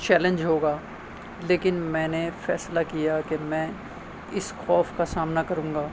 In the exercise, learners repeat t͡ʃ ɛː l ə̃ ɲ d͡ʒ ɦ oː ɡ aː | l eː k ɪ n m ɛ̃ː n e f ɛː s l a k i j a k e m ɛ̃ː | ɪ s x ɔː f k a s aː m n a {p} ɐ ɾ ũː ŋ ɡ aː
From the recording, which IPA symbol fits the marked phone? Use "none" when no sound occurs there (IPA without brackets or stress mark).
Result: k